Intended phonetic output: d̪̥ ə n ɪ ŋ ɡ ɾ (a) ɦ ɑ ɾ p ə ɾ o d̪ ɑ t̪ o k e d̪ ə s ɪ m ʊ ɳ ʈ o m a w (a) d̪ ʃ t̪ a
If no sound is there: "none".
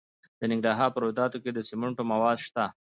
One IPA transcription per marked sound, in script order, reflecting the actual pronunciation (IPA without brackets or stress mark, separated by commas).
ɑ, ɑ